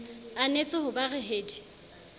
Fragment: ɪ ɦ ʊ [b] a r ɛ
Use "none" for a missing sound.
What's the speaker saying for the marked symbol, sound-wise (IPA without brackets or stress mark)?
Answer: b